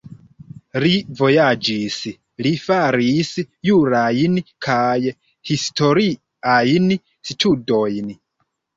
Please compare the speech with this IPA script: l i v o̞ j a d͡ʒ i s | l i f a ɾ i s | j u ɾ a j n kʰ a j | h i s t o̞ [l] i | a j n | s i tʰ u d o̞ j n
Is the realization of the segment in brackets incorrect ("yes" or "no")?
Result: yes